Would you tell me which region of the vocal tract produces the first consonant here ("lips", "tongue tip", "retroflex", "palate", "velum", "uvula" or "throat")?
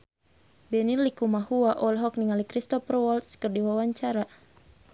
lips